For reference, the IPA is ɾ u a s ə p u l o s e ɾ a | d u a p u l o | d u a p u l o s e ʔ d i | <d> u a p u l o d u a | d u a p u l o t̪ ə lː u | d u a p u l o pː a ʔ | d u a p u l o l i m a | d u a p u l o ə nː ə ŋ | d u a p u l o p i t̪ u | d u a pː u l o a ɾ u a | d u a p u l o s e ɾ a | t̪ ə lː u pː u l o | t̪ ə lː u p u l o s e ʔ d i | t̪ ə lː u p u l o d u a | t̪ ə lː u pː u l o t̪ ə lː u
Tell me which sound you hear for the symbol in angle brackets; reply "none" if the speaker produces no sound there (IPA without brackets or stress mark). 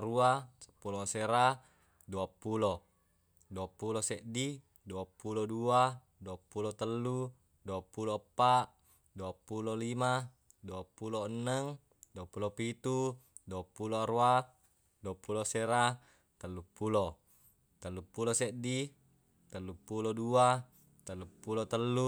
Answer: d